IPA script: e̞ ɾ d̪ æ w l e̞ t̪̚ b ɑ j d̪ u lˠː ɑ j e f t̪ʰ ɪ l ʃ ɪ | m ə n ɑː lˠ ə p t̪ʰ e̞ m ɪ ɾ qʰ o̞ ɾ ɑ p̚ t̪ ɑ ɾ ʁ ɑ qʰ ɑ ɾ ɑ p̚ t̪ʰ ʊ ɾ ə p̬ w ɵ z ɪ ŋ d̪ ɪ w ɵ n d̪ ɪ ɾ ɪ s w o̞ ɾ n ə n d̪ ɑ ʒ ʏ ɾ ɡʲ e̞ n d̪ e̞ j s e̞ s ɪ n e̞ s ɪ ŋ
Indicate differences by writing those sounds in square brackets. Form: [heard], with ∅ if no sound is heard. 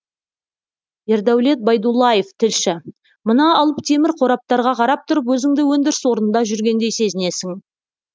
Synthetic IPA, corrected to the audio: e̞ ɾ d̪ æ w l e̞ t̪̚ b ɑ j d̪ u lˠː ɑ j e f t̪ʰ ɪ l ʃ ɪ | m ə n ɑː lˠ ə p t̪ʰ e̞ m ɪ ɾ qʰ o̞ ɾ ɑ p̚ t̪ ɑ ɾ ʁ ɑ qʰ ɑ ɾ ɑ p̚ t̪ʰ ʊ ɾ ə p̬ w ɵ z ɪ ŋ d̪ ɪ w ɵ n d̪ ɪ ɾ ɪ s w o̞ ɾ n ə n d̪ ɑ ʒ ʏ ɾ ɡʲ e̞ n d̪ e̞ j s e̞ [z] ɪ n e̞ s ɪ ŋ